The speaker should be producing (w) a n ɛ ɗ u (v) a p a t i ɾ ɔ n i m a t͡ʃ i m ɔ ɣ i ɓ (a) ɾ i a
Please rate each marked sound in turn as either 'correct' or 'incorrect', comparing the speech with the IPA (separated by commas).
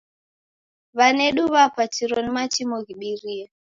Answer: incorrect, incorrect, incorrect